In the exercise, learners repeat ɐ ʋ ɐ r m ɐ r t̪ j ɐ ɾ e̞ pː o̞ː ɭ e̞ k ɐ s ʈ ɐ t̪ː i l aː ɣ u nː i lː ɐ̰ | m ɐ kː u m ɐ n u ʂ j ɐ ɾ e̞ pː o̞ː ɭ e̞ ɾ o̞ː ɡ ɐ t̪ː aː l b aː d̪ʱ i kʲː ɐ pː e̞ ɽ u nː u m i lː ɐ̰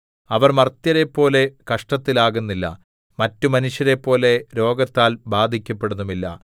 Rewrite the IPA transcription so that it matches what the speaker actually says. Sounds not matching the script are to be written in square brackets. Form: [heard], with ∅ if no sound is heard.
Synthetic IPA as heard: ɐ ʋ ɐ r m ɐ r t̪ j ɐ ɾ e̞ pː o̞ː [l] e̞ k ɐ [ʂ] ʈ ɐ t̪ː i l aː ɣ u nː i lː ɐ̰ | m ɐ [tː] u m ɐ n u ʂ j ɐ ɾ e̞ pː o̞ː [l] e̞ ɾ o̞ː ɡ ɐ t̪ː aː l b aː d̪ʱ i kʲː ɐ pː e̞ ɽ u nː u m i lː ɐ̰

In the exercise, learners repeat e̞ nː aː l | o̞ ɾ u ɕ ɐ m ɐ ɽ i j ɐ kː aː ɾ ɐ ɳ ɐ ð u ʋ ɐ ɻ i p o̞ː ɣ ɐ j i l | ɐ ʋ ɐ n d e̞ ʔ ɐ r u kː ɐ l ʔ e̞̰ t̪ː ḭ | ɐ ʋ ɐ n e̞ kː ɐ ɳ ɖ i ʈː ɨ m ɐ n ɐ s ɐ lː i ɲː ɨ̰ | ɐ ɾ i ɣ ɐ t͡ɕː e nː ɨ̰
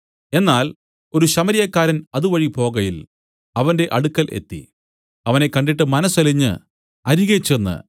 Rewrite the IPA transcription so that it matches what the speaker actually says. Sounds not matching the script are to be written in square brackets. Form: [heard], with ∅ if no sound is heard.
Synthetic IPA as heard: e̞ nː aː l | o̞ ɾ u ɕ ɐ m ɐ [ɾ] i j ɐ kː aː ɾ ɐ [n] ɐ ð u ʋ ɐ ɻ i p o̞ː ɣ ɐ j i l | ɐ ʋ ɐ n d e̞ ʔ ɐ [ɽ] u kː ɐ l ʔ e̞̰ t̪ː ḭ | ɐ ʋ ɐ n e̞ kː ɐ ɳ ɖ i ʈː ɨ m ɐ n ɐ s ɐ [l] i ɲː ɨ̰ | ɐ ɾ i ɣ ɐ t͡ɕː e nː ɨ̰

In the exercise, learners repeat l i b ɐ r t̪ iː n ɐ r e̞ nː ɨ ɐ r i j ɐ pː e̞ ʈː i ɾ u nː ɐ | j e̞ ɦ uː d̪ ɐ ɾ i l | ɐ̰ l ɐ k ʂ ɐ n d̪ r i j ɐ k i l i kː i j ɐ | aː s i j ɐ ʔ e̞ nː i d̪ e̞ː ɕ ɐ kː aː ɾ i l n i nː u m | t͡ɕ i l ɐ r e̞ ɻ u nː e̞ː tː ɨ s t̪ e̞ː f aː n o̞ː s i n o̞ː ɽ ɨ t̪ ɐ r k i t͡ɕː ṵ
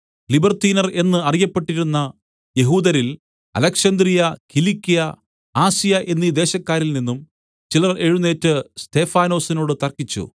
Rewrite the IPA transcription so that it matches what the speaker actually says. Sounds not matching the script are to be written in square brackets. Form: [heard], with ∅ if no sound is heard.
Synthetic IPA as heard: l i b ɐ r t̪ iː n ɐ r e̞ nː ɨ ɐ r i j ɐ pː e̞ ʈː i ɾ u nː ɐ | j e̞ ɦ uː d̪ ɐ ɾ i l | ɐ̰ l ɐ k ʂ ɐ n d̪ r i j ɐ k i l i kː i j ɐ | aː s i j ɐ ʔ e̞ nː i d̪ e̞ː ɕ ɐ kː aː ɾ i l n i nː u m | t͡ɕ i l ɐ r e̞ ɻ u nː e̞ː tː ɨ s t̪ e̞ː f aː n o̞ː s i n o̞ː ɽ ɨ t̪ ɐ r k i t͡ɕː ṵ

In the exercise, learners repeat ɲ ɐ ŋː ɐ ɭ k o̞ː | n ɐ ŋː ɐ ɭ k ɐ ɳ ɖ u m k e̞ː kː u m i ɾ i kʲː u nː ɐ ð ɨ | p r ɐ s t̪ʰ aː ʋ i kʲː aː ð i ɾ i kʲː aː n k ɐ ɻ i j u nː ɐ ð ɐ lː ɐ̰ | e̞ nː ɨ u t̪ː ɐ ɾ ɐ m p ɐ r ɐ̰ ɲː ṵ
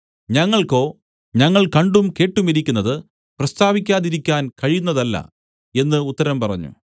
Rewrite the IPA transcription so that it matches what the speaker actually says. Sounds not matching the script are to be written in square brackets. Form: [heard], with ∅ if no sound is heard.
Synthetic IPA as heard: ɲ ɐ ŋː ɐ ɭ k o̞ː | [ɲ] ɐ ŋː ɐ ɭ k ɐ ɳ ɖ u m k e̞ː [ʈː] u m i ɾ i kʲː u nː ɐ ð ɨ | p r ɐ s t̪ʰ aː ʋ i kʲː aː ð i ɾ i kʲː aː n k ɐ ɻ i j u nː ɐ ð ɐ lː ɐ̰ | e̞ nː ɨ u t̪ː ɐ ɾ ɐ m p ɐ r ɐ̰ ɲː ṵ

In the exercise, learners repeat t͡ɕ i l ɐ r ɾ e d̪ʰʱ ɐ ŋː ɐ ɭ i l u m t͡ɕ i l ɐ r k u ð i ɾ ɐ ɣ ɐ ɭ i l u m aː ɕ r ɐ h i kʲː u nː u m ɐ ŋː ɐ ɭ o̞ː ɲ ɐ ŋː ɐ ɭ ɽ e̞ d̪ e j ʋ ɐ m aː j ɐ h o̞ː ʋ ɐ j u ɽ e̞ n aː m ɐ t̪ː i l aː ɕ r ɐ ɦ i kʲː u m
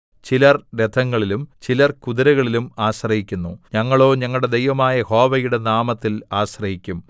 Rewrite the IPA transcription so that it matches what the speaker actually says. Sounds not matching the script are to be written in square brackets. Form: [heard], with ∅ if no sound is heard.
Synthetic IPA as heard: t͡ɕ i l ɐ r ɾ e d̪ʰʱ ɐ ŋː ɐ ɭ i l u m t͡ɕ i l ɐ r k u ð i ɾ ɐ ɣ ɐ ɭ i l u m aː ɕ r ɐ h i kʲː u nː u [ɲ] ɐ ŋː ɐ ɭ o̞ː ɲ ɐ ŋː ɐ ɭ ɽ e̞ d̪ e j ʋ ɐ m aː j ɐ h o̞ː ʋ ɐ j u ɽ e̞ n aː m ɐ t̪ː i l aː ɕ r ɐ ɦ i kʲː u m

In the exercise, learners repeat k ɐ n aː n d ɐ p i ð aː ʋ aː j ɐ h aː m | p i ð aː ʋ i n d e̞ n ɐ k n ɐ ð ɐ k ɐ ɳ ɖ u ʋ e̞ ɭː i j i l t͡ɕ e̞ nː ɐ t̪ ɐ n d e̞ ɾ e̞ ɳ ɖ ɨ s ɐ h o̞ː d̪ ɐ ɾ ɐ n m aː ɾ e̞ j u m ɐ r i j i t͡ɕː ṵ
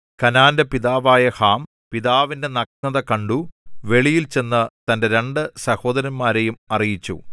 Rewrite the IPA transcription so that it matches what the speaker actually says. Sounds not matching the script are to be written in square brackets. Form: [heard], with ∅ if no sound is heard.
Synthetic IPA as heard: k ɐ n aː n d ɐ p i ð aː ʋ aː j ɐ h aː m | p i ð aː ʋ i n d e̞ n ɐ k n ɐ ð ɐ k ɐ ɳ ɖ u ʋ e̞ [ɭ] i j i l t͡ɕ e̞ nː ɐ t̪ ɐ n d e̞ ɾ e̞ ɳ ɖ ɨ s ɐ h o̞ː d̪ ɐ ɾ ɐ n m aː ɾ e̞ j u m ɐ r i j i t͡ɕː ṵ

